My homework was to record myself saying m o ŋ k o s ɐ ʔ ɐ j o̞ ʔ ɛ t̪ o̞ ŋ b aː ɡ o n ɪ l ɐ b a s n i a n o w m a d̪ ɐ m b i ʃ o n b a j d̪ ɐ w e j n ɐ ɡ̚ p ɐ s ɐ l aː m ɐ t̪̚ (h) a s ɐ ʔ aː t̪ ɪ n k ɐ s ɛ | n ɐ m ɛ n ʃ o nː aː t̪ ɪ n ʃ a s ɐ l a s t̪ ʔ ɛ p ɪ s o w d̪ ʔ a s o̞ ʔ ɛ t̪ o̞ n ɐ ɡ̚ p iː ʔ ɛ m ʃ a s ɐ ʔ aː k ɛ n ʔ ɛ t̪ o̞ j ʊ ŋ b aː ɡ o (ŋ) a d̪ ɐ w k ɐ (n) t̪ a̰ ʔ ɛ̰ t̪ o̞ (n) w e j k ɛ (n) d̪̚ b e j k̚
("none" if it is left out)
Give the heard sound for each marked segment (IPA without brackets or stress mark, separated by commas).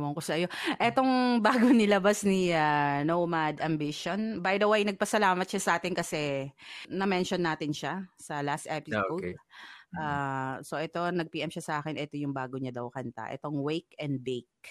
ʃ, ɲ, n, ŋ, n